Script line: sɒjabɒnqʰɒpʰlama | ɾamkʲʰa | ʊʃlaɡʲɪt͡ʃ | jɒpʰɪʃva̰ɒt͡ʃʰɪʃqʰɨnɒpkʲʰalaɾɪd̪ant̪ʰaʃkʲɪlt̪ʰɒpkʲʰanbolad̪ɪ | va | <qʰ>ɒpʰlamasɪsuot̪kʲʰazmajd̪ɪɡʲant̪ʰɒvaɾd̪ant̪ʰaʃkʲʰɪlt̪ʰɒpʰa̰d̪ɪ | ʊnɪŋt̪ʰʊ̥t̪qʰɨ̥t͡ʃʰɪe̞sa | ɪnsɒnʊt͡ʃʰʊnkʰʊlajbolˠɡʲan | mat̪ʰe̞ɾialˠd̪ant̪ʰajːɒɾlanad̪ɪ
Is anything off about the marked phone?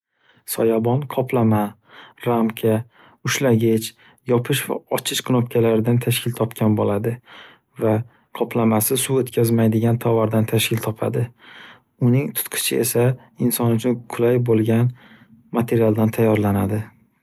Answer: no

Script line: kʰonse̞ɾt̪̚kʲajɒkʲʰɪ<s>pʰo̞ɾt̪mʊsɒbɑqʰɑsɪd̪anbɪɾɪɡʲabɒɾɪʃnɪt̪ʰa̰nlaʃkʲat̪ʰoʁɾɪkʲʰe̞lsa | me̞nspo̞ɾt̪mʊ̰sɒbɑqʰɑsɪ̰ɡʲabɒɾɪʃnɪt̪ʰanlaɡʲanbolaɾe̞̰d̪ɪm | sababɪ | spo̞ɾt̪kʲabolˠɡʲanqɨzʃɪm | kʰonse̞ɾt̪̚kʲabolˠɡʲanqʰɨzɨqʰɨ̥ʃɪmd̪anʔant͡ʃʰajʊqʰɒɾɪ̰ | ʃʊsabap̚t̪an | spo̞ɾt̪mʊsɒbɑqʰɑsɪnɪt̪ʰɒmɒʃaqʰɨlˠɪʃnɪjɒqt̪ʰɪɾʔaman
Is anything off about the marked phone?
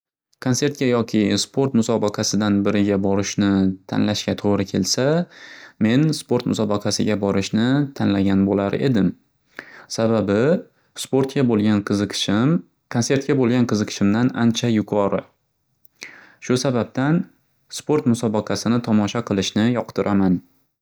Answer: no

